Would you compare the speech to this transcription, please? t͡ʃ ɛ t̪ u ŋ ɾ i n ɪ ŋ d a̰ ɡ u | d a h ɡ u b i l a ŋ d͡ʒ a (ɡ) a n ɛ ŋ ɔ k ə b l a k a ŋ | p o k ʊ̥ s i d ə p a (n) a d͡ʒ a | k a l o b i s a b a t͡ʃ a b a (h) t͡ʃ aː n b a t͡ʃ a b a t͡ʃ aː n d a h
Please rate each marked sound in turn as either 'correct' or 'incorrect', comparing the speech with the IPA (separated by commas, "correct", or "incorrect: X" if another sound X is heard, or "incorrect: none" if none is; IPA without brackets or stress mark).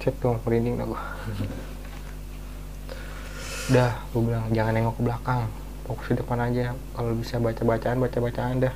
incorrect: ŋ, correct, incorrect: none